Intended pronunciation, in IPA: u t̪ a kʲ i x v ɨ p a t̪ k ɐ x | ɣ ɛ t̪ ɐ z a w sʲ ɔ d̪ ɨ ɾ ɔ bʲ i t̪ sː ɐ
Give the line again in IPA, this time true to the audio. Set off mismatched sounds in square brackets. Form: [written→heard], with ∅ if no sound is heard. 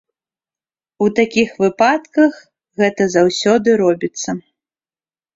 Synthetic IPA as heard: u t̪ a kʲ i x v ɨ p a t̪ k ɐ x | ɣ ɛ t̪ ɐ z a w sʲ ɔ d̪ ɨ ɾ ɔ bʲ i t̪ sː ɐ